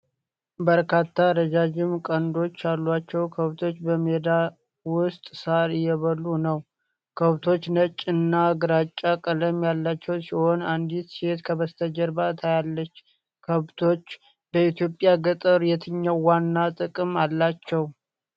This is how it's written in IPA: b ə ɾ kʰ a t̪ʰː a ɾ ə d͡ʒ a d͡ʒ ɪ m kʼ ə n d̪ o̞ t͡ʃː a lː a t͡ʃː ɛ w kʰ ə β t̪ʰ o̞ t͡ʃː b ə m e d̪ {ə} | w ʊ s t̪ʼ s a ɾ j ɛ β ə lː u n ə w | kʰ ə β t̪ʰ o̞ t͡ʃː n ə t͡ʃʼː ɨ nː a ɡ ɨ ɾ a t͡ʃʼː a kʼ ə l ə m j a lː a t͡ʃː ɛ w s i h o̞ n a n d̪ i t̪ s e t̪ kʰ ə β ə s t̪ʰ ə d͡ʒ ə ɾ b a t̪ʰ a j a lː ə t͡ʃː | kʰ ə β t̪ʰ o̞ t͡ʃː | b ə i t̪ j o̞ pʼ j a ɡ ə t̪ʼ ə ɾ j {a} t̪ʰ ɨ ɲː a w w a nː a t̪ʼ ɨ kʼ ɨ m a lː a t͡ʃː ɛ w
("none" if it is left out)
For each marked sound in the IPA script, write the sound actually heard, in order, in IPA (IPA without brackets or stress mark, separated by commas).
a, ɛ